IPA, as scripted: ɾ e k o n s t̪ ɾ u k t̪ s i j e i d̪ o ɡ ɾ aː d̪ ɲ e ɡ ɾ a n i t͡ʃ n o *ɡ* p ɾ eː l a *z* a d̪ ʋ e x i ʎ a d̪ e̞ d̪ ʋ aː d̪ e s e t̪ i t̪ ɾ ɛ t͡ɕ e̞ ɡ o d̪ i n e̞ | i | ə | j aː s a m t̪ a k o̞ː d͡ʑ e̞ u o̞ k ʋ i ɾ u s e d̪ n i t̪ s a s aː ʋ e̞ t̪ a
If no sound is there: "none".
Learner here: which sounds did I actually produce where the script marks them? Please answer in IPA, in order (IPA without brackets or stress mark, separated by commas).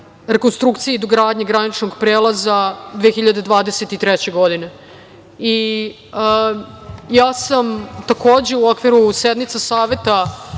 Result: ɡ, z